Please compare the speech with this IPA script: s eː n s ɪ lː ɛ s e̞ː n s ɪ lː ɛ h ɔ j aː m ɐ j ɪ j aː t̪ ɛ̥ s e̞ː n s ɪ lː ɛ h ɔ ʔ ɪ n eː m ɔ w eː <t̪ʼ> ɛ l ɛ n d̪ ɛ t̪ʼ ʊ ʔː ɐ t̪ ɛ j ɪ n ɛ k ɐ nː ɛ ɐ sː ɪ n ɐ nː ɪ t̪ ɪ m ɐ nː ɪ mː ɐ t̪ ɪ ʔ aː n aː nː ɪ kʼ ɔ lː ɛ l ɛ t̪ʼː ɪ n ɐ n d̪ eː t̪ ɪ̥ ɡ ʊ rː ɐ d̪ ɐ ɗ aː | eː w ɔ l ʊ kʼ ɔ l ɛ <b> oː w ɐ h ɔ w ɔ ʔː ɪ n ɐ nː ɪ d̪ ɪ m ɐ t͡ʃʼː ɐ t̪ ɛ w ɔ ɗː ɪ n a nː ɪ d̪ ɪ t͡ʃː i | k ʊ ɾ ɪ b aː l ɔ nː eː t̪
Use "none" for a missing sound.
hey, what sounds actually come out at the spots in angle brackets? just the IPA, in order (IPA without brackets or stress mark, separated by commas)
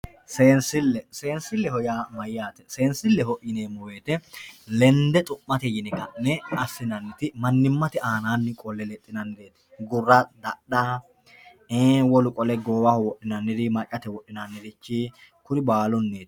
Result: t̪, ɡ